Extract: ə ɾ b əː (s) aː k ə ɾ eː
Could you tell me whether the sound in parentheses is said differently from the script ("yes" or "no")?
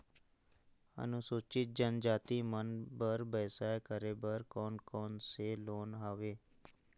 no